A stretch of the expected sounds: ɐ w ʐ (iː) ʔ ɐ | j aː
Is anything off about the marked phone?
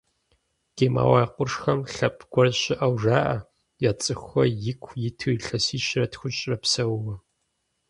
yes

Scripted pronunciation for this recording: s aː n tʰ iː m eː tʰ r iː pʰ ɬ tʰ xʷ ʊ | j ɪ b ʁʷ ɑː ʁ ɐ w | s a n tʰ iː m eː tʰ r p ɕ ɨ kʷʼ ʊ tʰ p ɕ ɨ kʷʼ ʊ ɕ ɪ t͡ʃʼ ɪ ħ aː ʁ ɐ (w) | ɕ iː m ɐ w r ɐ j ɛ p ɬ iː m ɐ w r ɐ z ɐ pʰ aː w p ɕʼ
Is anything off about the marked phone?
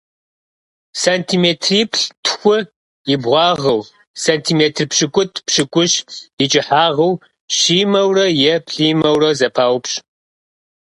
no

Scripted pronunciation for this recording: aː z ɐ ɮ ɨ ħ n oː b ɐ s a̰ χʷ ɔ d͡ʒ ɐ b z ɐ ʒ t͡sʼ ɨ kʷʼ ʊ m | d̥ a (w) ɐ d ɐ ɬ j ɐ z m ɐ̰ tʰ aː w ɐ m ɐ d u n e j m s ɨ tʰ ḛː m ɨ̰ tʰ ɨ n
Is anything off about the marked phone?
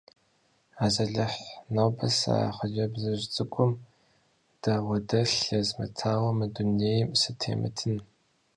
no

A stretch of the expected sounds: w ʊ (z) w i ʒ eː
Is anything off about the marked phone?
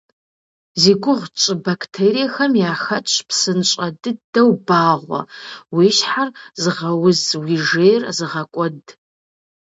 no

